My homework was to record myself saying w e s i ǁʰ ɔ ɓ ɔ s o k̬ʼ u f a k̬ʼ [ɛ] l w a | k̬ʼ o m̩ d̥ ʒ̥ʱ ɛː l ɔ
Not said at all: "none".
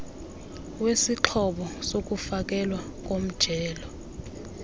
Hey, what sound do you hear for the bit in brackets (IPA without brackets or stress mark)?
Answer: ɛ